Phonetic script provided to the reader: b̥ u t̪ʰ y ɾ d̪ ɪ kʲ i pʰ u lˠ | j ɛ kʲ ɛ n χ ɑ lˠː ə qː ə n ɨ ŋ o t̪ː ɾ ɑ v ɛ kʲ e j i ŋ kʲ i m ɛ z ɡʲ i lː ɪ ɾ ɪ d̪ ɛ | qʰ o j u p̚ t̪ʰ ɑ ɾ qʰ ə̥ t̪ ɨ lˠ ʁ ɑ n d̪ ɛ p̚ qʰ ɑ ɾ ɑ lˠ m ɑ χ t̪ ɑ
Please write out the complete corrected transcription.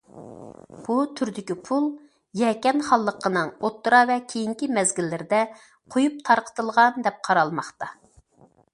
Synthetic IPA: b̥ u t̪ʰ y ɾ d̪ ɪ kʲ i pʰ u lˠ | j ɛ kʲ ɛ n χ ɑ lˠː ə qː ə n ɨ ŋ o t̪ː ɾ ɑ v ɛ kʲʰ e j i ŋ kʲ i m ɛ z ɡʲ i lː ɪ ɾ ɪ d̪ ɛ | qʰ o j u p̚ t̪ʰ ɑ ɾ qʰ ə̥ t̪ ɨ lˠ ʁ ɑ n d̪ ɛ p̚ qʰ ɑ ɾ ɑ lˠ m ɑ χ t̪ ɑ